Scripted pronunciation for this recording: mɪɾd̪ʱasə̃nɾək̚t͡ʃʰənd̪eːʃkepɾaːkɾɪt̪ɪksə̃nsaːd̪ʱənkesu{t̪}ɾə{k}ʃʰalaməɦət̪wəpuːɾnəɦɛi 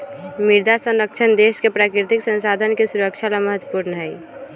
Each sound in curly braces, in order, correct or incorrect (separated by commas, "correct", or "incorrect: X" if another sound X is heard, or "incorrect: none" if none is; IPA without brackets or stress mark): incorrect: none, correct